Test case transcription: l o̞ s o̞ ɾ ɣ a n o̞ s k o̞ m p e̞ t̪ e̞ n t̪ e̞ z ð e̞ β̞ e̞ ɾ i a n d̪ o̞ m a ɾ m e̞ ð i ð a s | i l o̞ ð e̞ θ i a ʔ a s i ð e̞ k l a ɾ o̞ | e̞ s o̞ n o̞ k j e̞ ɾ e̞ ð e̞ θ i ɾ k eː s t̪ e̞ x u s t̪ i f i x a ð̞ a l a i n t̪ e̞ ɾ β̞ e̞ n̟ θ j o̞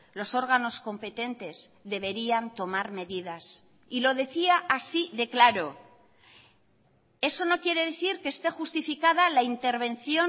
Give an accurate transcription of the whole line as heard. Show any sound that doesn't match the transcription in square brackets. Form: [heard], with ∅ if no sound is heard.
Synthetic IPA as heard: l o̞ s o̞ ɾ ɣ a n o̞ s k o̞ m p e̞ t̪ e̞ n t̪ e̞ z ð e̞ β̞ e̞ ɾ i a n [t̪] o̞ m a ɾ m e̞ ð i ð a s | i l o̞ ð e̞ θ i a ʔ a s i ð e̞ k l a ɾ o̞ | e̞ s o̞ n o̞ k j e̞ ɾ e̞ ð e̞ θ i ɾ k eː s t̪ e̞ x u s t̪ i f i [k] a ð̞ a l a i n t̪ e̞ ɾ β̞ e̞ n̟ θ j o̞

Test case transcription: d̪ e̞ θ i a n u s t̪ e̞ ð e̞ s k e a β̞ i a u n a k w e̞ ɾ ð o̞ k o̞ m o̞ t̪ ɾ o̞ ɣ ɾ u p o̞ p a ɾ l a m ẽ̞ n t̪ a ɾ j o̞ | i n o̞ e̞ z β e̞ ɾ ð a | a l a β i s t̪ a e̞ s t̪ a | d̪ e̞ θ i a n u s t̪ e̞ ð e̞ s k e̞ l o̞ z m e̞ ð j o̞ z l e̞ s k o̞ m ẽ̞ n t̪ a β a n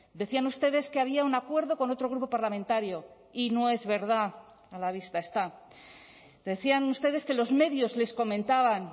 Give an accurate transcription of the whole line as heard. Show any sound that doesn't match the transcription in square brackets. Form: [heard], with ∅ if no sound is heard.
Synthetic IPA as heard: d̪ e̞ θ i a n u s t̪ e̞ ð e̞ s k e a β̞ i a u n a k w e̞ ɾ ð o̞ k o̞ [n] o̞ t̪ ɾ o̞ ɣ ɾ u p o̞ p a ɾ l a m ẽ̞ n t̪ a ɾ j o̞ | i n o̞ e̞ z β e̞ ɾ ð a | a l a β i s t̪ a e̞ s t̪ a | d̪ e̞ θ i a n u s t̪ e̞ ð e̞ s k e̞ l o̞ z m e̞ ð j o̞ z l e̞ s k o̞ m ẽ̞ n t̪ a β a n

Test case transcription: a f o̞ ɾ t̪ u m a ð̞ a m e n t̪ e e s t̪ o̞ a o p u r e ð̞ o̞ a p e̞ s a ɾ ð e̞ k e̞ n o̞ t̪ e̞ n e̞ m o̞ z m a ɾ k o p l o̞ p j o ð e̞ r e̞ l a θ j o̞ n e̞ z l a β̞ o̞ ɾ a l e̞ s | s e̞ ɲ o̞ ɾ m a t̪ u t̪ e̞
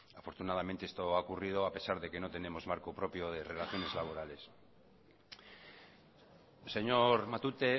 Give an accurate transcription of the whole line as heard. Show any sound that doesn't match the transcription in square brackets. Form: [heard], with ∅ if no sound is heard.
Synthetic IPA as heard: a f o̞ ɾ t̪ u [n] a ð̞ a m e n t̪ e e s t̪ o̞ a o [k] u r [i] ð̞ o̞ a p e̞ s a ɾ ð e̞ k e̞ n o̞ t̪ e̞ n e̞ m o̞ z m a ɾ k o p [ɾ] o̞ p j o ð e̞ r e̞ l a θ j o̞ n e̞ z l a β̞ o̞ ɾ a l e̞ s | s e̞ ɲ o̞ ɾ m a t̪ u t̪ e̞

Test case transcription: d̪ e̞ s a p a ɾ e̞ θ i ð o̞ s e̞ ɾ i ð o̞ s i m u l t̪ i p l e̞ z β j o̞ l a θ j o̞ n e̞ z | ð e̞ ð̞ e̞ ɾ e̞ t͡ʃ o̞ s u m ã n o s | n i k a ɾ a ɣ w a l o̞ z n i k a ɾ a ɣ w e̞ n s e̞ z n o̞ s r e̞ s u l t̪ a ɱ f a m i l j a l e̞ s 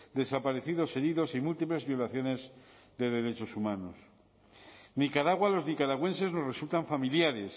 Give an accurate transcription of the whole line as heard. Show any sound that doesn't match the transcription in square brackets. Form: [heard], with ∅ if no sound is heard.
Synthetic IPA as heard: d̪ e̞ s a p a ɾ e̞ θ i ð o̞ s e̞ ɾ i ð o̞ s i m u l t̪ i p l e̞ z β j o̞ l a θ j o̞ n e̞ z | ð e̞ ð̞ e̞ ɾ e̞ t͡ʃ o̞ s u m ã n o s | n i k a ɾ a ɣ w a l o̞ z n i k a ɾ a ɣ w e̞ n s e̞ z n o̞ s r e̞ s u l t̪ a ɱ f a m i l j a [ɾ] e̞ s

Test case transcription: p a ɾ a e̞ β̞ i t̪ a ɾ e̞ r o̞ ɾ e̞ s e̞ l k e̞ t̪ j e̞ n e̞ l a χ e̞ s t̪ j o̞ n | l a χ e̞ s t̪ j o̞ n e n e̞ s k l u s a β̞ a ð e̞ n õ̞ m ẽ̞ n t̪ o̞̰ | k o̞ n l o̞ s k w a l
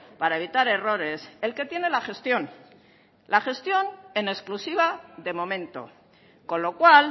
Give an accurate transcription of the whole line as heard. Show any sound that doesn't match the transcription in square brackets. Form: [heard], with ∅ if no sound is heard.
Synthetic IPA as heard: p a ɾ a e̞ β̞ i t̪ a ɾ e̞ r o̞ ɾ e̞ s e̞ l k e̞ t̪ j e̞ n e̞ l a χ e̞ s t̪ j o̞ n | l a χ e̞ s t̪ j o̞ n e n e̞ s k l u s [i] β̞ a ð e̞ [m] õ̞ m ẽ̞ n t̪ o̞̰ | k o̞ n l o̞ [∅] k w a l

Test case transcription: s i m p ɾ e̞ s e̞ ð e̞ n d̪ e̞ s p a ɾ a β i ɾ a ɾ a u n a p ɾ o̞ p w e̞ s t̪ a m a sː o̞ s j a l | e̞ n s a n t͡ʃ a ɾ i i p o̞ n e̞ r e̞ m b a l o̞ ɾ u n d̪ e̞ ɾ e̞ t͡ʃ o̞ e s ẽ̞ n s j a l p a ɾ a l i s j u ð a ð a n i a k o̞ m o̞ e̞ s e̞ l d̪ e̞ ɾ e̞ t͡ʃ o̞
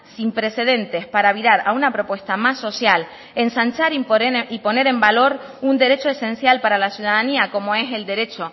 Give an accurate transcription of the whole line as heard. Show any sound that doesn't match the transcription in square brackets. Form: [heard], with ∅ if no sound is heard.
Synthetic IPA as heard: s i m p ɾ e̞ s e̞ ð e̞ n [t̪] e̞ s p a ɾ a β i ɾ a ɾ a u n a p ɾ o̞ p w e̞ s t̪ a m a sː o̞ s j a l | e̞ n s a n t͡ʃ a ɾ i i p o̞ n e̞ [ɾ] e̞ m b a l o̞ ɾ u n d̪ e̞ ɾ e̞ t͡ʃ o̞ e s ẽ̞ n s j a l p a ɾ a l [a] s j u ð a ð a n i a k o̞ m o̞ e̞ s e̞ l d̪ e̞ ɾ e̞ t͡ʃ o̞

